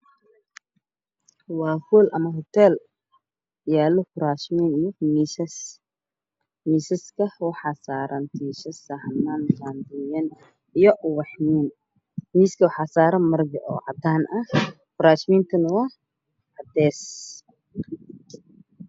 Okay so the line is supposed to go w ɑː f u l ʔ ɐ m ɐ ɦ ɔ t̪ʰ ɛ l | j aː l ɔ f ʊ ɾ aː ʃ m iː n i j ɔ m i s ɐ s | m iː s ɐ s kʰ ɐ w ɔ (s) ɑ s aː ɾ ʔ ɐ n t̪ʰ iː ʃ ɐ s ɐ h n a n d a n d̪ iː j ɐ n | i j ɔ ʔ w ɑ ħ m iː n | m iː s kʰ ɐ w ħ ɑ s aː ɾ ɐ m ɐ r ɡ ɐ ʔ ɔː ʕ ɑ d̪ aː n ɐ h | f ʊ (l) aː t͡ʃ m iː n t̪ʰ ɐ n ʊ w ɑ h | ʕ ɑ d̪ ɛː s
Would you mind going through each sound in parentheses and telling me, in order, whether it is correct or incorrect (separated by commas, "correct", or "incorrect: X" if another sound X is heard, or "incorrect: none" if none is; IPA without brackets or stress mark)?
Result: incorrect: ħ, incorrect: ɾ